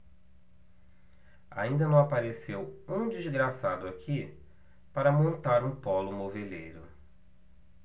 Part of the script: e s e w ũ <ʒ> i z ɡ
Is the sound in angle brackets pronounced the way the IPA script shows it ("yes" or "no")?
no